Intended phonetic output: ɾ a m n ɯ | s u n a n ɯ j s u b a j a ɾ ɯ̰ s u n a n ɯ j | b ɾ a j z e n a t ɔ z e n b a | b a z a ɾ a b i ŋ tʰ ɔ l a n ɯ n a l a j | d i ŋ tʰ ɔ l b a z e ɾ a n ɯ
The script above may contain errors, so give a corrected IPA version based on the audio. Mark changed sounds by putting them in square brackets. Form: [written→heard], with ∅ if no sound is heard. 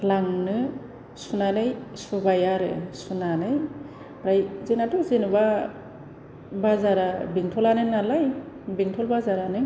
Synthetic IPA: [ɾ→l] a [m→ŋ] n ɯ | s u n a n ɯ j s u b a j a ɾ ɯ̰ s u n a n ɯ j | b ɾ a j z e n a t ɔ z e n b a | b a z a ɾ a b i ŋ tʰ ɔ l a n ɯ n a l a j | [d→b] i ŋ tʰ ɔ l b a z [e→a] ɾ a n ɯ